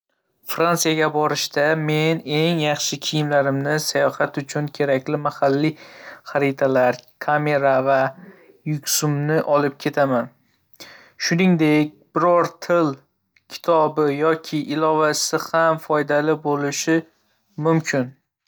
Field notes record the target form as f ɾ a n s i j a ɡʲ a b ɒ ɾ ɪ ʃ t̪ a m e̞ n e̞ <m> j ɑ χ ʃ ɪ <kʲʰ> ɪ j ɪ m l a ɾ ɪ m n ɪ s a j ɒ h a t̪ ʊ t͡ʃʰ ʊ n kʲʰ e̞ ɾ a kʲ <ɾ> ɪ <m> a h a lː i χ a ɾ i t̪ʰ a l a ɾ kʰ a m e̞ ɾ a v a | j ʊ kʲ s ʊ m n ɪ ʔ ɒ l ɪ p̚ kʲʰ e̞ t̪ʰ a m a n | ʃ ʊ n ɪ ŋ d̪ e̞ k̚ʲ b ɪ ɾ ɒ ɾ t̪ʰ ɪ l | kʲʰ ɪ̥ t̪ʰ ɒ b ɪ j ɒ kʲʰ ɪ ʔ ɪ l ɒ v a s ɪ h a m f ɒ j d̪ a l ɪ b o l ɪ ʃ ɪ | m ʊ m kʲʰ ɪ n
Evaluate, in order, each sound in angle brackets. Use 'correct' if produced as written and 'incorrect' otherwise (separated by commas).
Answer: incorrect, correct, incorrect, correct